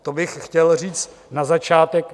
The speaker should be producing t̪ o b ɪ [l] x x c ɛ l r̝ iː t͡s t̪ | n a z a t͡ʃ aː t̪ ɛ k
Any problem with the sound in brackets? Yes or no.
yes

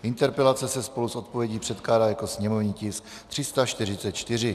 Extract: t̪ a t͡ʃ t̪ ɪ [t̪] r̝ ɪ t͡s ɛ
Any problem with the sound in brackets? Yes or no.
yes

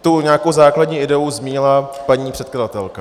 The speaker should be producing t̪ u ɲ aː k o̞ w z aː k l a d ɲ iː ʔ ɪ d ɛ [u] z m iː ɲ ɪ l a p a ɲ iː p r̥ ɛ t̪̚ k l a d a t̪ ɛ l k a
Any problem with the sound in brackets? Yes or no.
no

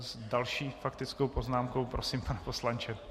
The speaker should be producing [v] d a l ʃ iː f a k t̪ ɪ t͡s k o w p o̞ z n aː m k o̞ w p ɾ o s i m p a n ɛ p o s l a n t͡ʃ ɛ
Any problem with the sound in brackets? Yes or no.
yes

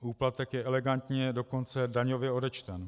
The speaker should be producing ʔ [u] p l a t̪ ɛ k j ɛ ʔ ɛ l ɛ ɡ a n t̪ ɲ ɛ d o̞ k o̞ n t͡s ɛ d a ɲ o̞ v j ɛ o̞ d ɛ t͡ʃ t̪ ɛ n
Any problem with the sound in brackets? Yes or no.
yes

